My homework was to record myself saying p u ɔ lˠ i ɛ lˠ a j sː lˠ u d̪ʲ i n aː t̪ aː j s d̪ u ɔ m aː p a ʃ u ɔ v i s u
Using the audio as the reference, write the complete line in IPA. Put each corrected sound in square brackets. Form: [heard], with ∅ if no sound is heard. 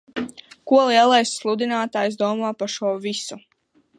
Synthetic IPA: [k] u ɔ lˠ i ɛ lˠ a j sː lˠ u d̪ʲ i n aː t̪ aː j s d̪ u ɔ m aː p a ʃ u ɔ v i s u